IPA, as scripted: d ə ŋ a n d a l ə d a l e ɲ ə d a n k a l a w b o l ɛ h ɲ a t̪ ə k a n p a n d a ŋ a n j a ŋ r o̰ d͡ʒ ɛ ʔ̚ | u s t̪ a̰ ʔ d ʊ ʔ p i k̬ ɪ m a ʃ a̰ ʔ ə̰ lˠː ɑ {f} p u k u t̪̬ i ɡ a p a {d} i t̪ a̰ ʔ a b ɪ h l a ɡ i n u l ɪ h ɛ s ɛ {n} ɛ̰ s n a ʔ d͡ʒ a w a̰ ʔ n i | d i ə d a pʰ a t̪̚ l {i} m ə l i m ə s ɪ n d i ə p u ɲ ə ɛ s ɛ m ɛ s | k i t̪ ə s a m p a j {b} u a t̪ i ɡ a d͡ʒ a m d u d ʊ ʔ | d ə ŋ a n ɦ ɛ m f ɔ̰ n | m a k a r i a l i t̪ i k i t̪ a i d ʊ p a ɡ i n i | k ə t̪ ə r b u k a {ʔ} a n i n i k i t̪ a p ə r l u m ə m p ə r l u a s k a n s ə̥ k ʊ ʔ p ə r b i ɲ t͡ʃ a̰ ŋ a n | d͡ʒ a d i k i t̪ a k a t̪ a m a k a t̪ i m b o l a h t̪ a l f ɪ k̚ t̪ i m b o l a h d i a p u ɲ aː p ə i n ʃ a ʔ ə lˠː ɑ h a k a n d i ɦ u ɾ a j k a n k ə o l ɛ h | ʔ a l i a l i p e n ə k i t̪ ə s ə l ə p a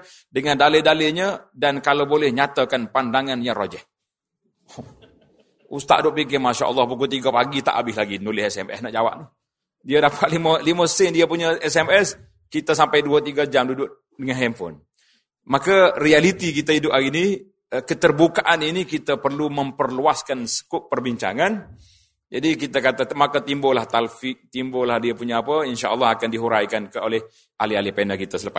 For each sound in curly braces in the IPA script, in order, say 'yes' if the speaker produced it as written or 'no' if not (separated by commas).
no, no, no, yes, no, yes